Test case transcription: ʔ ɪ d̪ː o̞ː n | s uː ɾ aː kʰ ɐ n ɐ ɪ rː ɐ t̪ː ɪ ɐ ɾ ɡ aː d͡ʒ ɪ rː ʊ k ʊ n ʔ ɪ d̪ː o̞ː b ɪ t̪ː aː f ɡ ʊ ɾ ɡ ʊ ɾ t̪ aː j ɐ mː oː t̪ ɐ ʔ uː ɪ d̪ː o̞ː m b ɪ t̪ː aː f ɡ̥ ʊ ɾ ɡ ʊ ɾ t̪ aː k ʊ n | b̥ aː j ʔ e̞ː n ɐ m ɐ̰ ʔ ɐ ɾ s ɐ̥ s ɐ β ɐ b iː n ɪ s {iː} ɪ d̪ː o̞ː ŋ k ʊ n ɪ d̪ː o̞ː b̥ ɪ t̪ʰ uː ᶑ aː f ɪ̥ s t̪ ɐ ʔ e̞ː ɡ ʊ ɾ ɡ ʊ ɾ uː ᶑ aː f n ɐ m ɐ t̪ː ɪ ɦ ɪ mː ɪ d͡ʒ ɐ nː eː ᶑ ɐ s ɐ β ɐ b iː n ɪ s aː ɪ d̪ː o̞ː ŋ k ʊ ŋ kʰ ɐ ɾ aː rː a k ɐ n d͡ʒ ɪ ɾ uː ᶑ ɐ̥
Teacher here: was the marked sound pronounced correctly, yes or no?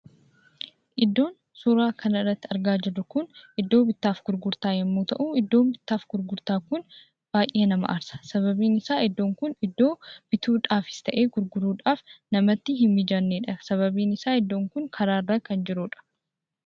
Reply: no